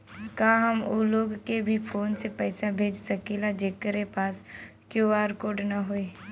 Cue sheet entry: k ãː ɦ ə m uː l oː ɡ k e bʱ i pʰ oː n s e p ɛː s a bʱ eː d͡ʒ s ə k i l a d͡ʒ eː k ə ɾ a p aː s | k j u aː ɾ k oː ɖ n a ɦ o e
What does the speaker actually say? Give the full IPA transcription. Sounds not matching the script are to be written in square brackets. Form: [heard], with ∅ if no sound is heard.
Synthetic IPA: k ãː ɦ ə m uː l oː ɡ k e bʱ i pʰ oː n s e p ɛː s a bʱ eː d͡ʒ s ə k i l a d͡ʒ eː k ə ɾ [e] p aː s | k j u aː ɾ k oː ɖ n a ɦ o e